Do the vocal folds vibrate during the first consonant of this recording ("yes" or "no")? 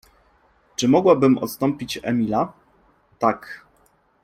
no